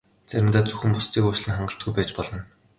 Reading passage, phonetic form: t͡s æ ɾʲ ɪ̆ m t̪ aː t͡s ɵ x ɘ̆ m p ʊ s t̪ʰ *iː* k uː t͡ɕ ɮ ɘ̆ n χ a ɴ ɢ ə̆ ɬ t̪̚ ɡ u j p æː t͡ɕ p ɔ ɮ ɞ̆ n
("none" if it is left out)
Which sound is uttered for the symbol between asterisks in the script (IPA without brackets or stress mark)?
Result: iː